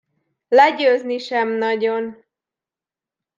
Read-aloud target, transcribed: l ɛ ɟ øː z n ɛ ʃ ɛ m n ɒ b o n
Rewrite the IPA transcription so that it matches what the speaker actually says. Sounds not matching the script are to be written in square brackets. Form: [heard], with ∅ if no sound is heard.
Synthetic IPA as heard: l ɛ ɟ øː z n [i] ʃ ɛ m n ɒ [ɟ] o n